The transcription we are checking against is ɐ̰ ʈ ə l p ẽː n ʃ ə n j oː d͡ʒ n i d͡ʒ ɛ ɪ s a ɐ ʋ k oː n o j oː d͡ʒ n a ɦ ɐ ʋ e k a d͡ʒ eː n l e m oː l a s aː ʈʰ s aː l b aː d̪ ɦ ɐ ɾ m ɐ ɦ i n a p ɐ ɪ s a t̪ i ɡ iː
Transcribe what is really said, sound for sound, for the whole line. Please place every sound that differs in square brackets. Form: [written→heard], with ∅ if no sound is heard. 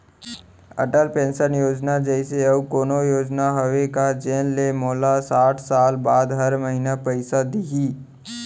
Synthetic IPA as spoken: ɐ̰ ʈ ə l p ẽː n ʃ ə n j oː d͡ʒ n [i→a] d͡ʒ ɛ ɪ s [a→e] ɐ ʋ k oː n o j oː d͡ʒ n a ɦ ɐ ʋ e k a d͡ʒ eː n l e m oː l a s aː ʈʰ s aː l b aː d̪ ɦ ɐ ɾ m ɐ ɦ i n a p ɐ ɪ s a [t̪→d̪] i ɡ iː